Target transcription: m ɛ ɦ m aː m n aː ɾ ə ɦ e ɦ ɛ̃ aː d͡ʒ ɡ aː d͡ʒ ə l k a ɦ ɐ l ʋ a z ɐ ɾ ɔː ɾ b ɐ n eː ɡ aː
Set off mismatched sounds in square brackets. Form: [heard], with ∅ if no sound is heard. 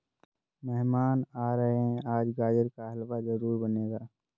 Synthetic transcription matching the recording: m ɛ ɦ m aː [∅] n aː ɾ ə ɦ e ɦ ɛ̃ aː d͡ʒ ɡ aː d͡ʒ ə [ɾ] k a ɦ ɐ l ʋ a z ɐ ɾ [uː] ɾ b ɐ n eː ɡ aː

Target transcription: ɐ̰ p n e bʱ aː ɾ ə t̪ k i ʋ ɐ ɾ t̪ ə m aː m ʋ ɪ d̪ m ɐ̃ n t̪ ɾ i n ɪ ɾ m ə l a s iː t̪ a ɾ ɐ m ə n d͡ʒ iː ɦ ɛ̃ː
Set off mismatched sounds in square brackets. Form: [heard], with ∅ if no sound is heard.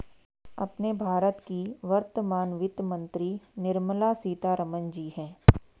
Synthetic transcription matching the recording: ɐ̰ p n e bʱ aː ɾ ə t̪ k i ʋ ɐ ɾ t̪ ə m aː [n] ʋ ɪ [t̪] m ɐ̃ n t̪ ɾ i n ɪ ɾ m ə l a s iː t̪ a ɾ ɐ m ə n d͡ʒ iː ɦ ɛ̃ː

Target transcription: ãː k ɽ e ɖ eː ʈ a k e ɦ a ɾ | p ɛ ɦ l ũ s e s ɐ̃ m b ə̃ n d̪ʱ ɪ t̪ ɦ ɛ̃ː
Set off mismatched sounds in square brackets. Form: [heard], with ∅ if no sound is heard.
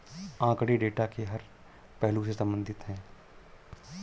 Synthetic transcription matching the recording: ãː k ɽ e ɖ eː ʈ a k e ɦ [ɐ] ɾ | p ɛ ɦ l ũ s e s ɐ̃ m b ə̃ n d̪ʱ ɪ t̪ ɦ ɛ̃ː

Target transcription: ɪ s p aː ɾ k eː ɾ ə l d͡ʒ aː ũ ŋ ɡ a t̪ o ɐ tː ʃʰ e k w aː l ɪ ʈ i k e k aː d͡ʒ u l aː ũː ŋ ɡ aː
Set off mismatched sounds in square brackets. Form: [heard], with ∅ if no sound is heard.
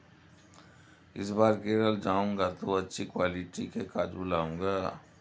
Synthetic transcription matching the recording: ɪ s [b] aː ɾ k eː ɾ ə l d͡ʒ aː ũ ŋ ɡ a t̪ o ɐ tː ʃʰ [i] k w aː l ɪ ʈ i k e k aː d͡ʒ u l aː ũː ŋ ɡ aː

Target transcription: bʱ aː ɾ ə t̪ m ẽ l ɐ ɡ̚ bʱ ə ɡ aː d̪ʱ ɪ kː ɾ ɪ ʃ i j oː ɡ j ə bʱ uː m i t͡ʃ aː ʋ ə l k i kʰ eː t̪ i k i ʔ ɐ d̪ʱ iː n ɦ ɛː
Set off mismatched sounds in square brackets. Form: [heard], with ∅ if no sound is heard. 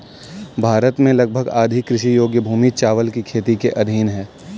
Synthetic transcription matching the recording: bʱ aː ɾ ə t̪ m ẽ l ɐ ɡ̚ bʱ ə ɡ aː d̪ʱ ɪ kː ɾ ɪ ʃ i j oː ɡ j ə bʱ uː m i t͡ʃ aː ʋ ə l k i kʰ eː t̪ i k [e] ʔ ɐ d̪ʱ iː n ɦ ɛː

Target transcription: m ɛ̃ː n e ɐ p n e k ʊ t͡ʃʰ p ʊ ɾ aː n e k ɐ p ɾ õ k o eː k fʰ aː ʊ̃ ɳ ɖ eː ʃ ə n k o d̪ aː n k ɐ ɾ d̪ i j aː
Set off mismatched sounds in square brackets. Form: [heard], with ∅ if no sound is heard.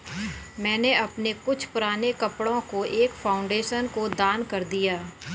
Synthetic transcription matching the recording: m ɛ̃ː n e ɐ p n e k ʊ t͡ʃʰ p ʊ ɾ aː n e k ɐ p [ɽ] õ k o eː k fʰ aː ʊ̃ ɳ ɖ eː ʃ ə n k o d̪ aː n k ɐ ɾ d̪ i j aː

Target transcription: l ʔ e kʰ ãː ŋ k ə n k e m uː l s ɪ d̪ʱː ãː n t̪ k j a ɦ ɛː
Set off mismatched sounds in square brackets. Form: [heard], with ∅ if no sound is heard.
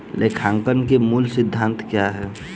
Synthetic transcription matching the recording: l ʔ e kʰ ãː ŋ k ə n k e m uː l s ɪ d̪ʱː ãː n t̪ k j a ɦ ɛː

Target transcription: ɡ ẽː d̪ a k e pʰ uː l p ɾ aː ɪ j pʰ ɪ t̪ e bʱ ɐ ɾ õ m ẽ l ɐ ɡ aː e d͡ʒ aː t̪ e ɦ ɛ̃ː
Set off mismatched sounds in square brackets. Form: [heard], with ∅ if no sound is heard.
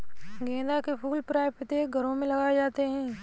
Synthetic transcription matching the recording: ɡ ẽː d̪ a k e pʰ uː l p ɾ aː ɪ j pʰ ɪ t̪ e [ɡʱ] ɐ ɾ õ m ẽ l ɐ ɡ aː e d͡ʒ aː t̪ e ɦ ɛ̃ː

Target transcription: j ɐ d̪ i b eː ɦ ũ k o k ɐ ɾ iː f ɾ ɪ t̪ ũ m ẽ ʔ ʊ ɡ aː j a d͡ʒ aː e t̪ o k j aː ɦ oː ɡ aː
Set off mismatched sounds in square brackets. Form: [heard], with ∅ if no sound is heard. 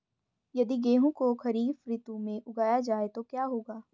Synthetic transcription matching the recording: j ɐ d̪ i [ɡ] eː ɦ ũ k o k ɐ ɾ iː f ɾ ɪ t̪ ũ m ẽ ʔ ʊ ɡ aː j a d͡ʒ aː e t̪ o k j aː ɦ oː ɡ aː

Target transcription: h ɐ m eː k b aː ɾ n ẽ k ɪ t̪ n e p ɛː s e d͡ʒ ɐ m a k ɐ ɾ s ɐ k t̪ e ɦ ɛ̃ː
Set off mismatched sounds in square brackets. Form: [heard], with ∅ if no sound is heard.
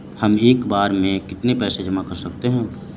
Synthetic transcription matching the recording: h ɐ m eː k b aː ɾ [m] ẽ k ɪ t̪ n e p ɛː s e d͡ʒ ɐ m a k ɐ ɾ s ɐ k t̪ e ɦ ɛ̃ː

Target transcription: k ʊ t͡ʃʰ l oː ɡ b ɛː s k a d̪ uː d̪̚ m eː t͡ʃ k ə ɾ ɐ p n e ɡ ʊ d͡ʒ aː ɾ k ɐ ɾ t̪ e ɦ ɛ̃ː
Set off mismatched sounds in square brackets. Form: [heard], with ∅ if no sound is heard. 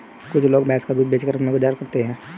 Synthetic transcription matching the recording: k ʊ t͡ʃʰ l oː ɡ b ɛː s k a d̪ uː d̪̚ [b] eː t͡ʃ k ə ɾ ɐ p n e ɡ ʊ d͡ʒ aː ɾ k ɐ ɾ t̪ e ɦ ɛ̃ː

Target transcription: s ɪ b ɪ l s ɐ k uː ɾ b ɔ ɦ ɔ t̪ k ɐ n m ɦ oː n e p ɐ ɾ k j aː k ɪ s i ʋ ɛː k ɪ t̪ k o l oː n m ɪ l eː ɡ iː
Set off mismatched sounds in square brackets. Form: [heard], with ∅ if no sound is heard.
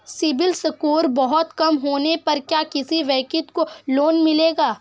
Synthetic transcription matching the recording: s ɪ b ɪ l s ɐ k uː ɾ b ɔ ɦ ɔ t̪ k ɐ [∅] m ɦ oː n e p ɐ ɾ k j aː k ɪ s i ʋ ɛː k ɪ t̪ k o l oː n m ɪ l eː ɡ [aː]

